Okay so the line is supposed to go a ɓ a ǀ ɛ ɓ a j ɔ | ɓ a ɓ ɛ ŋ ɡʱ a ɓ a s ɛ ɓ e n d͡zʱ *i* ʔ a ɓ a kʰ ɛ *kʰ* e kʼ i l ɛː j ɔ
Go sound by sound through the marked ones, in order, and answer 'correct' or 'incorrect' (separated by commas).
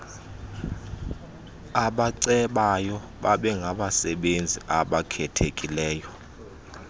correct, incorrect